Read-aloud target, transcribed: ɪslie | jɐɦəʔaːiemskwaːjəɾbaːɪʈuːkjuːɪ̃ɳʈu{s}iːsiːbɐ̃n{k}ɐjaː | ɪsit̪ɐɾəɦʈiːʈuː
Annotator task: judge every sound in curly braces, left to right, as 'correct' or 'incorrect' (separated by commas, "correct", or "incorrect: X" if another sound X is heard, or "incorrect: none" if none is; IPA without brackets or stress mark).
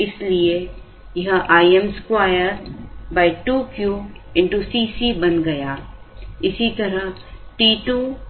correct, incorrect: ɡ